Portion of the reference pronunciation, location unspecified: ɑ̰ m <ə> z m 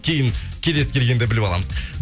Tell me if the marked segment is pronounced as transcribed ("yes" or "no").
yes